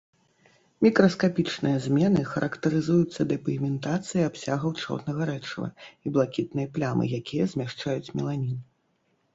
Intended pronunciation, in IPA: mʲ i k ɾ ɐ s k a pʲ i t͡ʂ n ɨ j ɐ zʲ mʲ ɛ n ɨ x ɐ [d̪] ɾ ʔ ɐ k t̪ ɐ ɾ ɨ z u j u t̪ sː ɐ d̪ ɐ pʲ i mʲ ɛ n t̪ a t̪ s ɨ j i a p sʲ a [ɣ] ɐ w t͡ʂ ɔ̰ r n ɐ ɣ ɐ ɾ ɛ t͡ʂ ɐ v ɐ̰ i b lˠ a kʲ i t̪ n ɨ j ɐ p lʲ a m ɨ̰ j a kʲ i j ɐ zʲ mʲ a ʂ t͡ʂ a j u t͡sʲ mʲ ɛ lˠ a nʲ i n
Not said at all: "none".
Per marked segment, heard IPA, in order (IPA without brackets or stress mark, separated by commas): none, ɣ